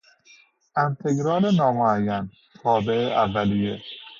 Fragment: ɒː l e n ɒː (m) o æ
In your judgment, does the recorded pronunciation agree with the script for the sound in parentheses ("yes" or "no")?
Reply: yes